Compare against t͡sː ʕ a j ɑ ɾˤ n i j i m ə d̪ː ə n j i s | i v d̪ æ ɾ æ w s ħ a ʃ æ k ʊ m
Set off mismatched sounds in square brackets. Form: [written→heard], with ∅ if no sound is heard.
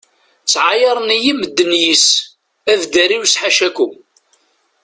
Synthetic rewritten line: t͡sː ʕ a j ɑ ɾˤ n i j i m ə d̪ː ə n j i s | [i→æ] v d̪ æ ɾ [æ→i] w s ħ a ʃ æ k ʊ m